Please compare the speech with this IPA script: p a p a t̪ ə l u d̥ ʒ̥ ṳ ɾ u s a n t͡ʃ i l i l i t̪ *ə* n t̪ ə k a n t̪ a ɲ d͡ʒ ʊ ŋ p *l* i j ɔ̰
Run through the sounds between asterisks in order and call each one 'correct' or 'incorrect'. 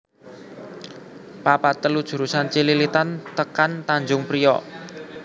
incorrect: a, incorrect: ɾ

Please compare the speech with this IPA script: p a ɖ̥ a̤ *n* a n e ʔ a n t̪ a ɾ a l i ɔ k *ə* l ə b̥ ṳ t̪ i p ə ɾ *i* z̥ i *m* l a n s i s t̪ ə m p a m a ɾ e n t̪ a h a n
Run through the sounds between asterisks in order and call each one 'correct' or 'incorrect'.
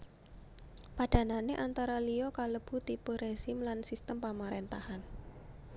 correct, incorrect: a, incorrect: e, correct

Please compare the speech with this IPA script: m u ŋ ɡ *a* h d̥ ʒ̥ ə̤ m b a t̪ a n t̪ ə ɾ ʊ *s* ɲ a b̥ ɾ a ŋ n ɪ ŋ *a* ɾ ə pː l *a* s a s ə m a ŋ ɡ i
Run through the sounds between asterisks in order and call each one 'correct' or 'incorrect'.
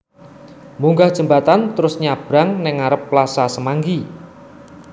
correct, correct, correct, correct

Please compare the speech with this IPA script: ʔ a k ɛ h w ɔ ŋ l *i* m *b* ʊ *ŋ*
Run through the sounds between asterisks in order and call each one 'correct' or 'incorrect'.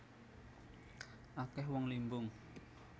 correct, correct, correct

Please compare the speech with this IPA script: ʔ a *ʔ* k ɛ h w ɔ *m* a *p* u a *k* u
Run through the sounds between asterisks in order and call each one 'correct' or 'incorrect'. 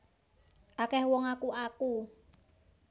incorrect: none, incorrect: ŋ, incorrect: k, correct

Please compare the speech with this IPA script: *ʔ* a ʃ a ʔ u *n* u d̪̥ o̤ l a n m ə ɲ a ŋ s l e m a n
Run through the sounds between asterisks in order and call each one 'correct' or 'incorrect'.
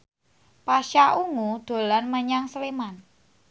incorrect: p, incorrect: ŋ

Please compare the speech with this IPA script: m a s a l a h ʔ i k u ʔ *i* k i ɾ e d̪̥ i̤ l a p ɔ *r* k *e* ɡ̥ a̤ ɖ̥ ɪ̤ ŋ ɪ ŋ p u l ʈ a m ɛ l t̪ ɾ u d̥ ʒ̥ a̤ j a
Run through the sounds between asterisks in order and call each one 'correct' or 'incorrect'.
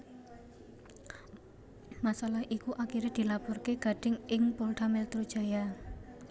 incorrect: a, correct, correct

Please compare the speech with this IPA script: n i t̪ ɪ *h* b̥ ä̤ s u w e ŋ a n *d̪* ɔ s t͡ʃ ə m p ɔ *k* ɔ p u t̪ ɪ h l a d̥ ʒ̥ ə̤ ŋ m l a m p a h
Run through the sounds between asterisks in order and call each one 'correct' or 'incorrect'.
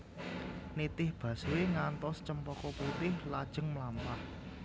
correct, incorrect: t̪, correct

